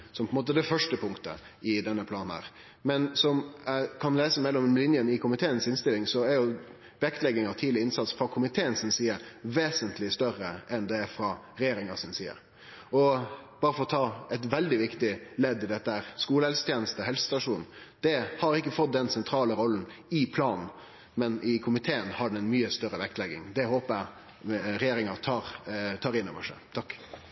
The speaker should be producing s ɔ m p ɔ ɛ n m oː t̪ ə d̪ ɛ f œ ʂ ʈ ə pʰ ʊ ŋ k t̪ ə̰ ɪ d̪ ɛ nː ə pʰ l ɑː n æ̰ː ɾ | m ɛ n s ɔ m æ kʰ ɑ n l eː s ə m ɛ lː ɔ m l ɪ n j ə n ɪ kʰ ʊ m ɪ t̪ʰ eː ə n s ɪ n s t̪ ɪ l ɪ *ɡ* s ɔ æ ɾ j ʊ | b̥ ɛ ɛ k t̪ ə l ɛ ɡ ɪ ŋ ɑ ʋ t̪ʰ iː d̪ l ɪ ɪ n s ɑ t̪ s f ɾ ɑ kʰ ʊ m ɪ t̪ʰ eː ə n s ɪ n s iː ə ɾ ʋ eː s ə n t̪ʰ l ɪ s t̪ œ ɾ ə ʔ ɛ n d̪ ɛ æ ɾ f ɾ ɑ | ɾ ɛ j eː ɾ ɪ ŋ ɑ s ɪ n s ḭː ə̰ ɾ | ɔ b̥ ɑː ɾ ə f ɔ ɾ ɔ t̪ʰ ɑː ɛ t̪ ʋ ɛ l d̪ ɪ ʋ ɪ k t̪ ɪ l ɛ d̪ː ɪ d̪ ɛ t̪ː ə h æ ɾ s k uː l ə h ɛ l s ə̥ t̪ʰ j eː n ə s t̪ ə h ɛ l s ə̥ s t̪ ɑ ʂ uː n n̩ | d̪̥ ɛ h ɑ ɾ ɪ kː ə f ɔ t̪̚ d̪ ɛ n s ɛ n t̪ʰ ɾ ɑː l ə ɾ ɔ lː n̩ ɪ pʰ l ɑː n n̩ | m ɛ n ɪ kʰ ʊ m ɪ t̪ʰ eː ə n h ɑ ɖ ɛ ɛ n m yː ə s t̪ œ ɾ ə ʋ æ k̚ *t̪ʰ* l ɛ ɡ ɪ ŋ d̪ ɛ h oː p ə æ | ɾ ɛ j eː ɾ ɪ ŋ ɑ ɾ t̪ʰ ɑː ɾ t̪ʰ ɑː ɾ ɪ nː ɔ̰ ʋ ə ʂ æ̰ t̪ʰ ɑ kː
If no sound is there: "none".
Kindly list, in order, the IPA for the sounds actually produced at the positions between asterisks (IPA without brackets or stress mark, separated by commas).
ŋ, t̪